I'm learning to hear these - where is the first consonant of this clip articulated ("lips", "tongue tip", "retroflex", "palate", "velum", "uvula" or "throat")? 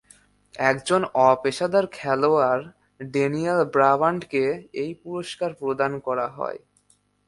velum